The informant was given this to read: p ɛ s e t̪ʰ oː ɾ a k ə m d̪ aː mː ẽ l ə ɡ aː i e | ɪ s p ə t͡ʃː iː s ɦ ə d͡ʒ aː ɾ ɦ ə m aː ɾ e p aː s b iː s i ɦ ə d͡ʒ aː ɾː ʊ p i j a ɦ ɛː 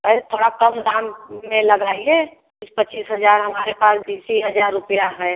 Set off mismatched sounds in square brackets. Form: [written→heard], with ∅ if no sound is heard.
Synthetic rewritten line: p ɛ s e t̪ʰ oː [ɾ→ɽ] a k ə m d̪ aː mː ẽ l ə ɡ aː i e | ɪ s p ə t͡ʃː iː s ɦ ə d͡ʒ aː ɾ ɦ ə m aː ɾ e p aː s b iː s i ɦ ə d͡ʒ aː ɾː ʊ p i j a ɦ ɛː